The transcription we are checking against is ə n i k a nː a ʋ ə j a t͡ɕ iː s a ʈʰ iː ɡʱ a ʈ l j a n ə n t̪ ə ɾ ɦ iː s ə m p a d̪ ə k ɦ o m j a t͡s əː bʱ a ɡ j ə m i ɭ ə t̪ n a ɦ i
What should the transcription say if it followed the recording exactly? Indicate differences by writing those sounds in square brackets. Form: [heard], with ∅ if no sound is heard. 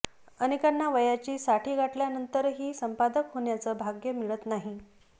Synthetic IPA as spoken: ə n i k a nː a ʋ ə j a t͡ɕ iː s a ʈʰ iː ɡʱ a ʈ l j a n ə n t̪ ə ɾ ɦ iː s ə m p a d̪ ə k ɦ o [ɳ] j a t͡s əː bʱ a ɡ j ə m i ɭ ə t̪ n a ɦ i